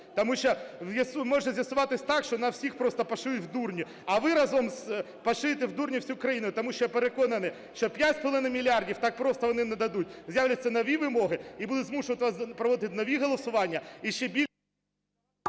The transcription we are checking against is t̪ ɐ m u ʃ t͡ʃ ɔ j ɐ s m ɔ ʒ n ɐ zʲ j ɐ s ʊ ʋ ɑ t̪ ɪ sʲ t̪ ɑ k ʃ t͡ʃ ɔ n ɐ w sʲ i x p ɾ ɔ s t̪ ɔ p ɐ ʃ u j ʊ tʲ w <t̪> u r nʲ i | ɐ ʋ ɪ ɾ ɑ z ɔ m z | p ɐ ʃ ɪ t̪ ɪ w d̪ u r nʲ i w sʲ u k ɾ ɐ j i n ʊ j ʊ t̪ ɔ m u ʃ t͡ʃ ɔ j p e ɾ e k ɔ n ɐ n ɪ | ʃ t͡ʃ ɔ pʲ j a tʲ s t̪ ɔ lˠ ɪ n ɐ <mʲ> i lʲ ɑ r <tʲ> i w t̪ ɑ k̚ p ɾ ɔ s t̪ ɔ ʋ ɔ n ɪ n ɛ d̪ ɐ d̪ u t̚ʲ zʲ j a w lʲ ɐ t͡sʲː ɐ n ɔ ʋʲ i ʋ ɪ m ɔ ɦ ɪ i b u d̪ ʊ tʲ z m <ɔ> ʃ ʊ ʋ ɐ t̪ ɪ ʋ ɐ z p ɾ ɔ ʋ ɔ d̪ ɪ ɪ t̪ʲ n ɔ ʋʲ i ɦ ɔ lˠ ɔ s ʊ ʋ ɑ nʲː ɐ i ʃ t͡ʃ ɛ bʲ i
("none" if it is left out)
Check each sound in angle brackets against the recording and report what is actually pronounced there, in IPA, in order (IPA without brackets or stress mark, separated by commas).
d̪, mʲ, dʲ, u